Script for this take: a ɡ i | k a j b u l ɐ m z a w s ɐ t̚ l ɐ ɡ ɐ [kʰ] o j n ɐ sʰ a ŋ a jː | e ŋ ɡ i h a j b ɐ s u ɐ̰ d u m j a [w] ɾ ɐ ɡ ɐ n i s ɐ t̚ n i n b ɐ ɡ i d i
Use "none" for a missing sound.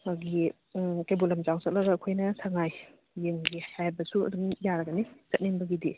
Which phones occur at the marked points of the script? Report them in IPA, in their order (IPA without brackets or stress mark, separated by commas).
kʰ, none